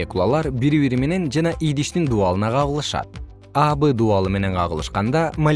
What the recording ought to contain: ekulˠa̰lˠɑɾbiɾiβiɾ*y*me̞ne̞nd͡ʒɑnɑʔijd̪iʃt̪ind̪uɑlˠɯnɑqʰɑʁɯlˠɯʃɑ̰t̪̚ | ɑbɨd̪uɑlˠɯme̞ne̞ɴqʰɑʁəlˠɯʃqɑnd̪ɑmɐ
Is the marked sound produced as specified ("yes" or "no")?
no